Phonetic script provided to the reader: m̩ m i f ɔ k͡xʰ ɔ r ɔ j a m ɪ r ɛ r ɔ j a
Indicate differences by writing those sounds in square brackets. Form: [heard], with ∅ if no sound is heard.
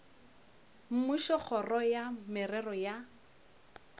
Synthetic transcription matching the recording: m̩ m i [ʃ] ɔ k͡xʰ ɔ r ɔ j a m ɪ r ɛ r ɔ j a

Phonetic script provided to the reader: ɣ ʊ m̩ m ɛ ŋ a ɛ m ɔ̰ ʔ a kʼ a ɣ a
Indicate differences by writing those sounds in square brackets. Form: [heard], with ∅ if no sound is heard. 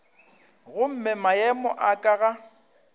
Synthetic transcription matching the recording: ɣ ʊ m̩ m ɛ [m] a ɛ m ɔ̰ ʔ a kʼ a ɣ a

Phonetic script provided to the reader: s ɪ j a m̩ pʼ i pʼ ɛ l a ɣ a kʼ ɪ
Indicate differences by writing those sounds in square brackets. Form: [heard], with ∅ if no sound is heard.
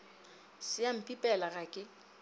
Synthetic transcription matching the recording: s ɪ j a m̩ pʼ i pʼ ɛ l a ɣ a kʼ ɪ

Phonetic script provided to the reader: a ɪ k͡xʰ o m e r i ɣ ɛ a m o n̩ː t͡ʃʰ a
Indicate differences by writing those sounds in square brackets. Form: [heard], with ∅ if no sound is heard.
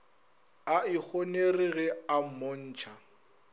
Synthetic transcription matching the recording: a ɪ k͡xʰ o [n] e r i ɣ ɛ a m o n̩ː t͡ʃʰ a

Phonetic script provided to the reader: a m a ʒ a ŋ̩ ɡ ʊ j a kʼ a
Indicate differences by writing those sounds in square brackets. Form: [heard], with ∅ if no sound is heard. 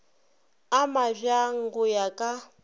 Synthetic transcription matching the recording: a m a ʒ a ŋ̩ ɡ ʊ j a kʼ a

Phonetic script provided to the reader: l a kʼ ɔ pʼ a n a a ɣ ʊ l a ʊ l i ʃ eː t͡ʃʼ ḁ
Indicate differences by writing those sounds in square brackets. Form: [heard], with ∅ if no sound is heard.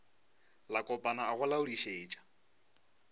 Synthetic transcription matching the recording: l a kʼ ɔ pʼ a n a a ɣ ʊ l a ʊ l i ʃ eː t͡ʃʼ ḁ

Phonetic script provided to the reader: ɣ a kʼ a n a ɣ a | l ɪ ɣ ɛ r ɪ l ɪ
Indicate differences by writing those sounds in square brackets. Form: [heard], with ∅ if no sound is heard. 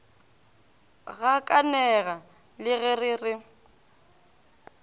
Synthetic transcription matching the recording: ɣ a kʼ a n [ɛ] ɣ a | l ɪ ɣ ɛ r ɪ [r] ɪ

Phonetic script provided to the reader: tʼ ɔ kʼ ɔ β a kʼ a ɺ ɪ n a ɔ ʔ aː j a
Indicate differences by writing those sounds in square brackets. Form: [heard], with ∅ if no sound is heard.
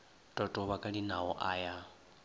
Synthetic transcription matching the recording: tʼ ɔ [tʼ] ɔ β a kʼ a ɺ [i] n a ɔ ʔ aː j a

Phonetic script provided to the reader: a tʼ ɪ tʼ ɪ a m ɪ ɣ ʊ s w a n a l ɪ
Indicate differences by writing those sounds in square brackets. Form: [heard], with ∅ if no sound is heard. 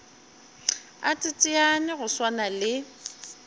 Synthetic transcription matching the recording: a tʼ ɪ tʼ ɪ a [n] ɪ ɣ ʊ s w a n a l ɪ

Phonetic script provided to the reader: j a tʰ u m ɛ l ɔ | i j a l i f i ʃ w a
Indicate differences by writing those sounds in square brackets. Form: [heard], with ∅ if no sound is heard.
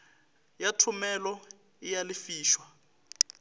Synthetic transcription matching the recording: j a tʰ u m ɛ l ɔ | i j a l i f [iː] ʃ w a

